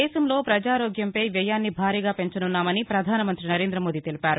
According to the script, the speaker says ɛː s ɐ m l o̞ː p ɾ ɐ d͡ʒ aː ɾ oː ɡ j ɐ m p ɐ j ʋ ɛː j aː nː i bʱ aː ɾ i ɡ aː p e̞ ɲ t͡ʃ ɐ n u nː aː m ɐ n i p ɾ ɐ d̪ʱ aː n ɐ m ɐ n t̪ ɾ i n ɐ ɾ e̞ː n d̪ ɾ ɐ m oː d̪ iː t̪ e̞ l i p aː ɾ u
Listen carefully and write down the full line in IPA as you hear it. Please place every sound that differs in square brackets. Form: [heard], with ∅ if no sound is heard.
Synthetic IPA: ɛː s ɐ m l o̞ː p ɾ ɐ d͡ʒ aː ɾ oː ɡ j ɐ m p ɐ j ʋ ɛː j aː nː i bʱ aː ɾ [iː] ɡ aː p e̞ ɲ t͡ʃ ɐ n u nː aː m ɐ n i p ɾ ɐ d̪ʱ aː n ɐ m ɐ n t̪ ɾ i n ɐ ɾ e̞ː n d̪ ɾ ɐ m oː d̪ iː t̪ e̞ l i p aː ɾ u